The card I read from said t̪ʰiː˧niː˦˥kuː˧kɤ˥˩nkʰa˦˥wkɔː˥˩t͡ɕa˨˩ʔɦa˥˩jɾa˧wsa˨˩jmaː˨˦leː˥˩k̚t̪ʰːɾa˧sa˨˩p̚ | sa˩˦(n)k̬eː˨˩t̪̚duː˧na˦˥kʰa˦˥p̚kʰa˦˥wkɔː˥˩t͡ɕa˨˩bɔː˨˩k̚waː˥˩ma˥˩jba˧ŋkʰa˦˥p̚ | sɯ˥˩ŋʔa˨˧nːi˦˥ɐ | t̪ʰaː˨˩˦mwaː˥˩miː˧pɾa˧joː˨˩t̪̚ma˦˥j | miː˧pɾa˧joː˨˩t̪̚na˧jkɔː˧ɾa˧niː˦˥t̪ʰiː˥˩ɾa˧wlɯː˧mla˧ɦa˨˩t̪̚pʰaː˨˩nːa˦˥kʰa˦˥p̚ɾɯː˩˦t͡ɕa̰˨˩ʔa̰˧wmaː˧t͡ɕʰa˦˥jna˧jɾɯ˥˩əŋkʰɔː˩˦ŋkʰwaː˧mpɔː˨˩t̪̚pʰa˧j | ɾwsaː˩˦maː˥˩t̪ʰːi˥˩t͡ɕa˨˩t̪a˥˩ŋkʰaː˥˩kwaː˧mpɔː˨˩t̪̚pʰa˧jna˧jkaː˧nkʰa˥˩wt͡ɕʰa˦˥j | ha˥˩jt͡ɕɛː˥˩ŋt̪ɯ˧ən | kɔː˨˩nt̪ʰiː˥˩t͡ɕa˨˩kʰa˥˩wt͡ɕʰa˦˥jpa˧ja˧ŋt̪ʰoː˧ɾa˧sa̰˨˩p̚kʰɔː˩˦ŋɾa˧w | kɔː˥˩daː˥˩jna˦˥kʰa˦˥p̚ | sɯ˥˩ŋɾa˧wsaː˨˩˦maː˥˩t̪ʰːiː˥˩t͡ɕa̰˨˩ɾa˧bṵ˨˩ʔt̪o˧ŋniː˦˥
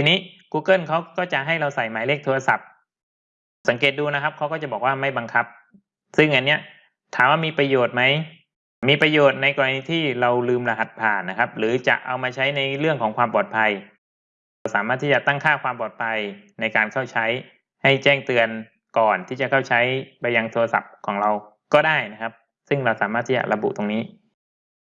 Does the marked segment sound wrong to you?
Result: yes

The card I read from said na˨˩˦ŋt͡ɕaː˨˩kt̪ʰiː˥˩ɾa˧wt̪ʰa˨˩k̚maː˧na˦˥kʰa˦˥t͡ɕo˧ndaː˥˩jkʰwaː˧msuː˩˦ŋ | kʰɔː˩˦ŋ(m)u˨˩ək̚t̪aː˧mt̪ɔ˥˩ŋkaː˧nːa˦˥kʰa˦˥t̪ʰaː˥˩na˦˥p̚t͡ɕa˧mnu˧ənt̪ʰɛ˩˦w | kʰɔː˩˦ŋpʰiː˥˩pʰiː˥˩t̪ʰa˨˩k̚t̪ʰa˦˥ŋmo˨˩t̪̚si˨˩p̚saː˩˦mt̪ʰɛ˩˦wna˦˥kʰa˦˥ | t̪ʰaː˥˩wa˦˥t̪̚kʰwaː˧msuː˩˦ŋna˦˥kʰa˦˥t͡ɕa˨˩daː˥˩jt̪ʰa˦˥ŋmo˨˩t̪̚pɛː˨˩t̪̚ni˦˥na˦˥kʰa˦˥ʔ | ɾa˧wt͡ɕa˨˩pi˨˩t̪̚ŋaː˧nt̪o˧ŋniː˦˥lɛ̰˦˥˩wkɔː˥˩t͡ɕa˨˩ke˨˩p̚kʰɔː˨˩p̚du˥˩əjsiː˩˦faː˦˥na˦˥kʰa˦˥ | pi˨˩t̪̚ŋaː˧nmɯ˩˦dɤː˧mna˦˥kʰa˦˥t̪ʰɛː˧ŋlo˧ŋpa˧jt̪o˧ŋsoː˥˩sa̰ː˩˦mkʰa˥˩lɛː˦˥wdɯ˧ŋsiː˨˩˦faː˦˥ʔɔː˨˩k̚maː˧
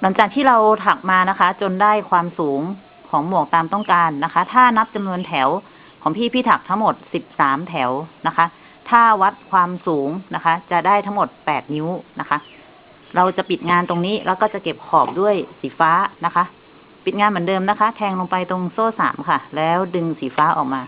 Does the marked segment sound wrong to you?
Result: no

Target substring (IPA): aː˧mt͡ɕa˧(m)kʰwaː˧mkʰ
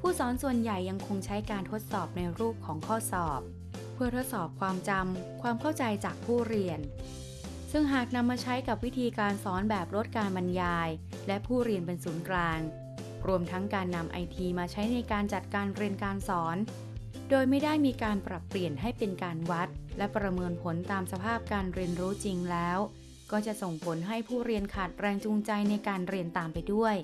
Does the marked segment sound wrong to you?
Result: no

